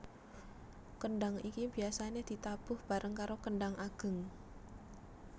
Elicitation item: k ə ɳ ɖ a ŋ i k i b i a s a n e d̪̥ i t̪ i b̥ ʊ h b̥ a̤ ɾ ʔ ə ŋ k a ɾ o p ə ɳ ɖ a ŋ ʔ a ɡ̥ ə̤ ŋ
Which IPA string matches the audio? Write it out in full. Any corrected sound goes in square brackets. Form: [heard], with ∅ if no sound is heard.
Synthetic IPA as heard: k ə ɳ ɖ a ŋ i k i b i a s a n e d̪̥ i t̪ [a] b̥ ʊ h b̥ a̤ ɾ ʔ ə ŋ k a ɾ o [k] ə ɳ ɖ a ŋ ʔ a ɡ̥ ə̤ ŋ